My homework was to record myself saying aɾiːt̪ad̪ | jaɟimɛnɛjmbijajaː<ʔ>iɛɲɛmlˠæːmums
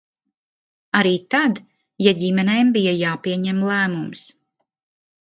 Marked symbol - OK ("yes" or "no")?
no